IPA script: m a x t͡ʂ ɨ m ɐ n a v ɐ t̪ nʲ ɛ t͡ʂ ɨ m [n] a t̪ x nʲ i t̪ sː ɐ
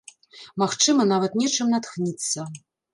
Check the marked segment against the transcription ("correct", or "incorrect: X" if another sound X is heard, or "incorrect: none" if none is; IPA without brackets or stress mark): correct